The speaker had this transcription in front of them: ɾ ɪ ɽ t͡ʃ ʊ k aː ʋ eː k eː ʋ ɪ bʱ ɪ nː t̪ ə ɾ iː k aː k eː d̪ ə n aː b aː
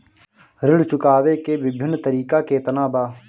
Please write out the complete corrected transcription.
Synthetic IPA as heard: ɾ ɪ ɽ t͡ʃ ʊ k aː ʋ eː k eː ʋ ɪ bʱ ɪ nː t̪ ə ɾ iː k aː k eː t̪ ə n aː b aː